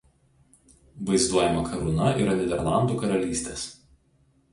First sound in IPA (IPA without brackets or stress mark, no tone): ʋ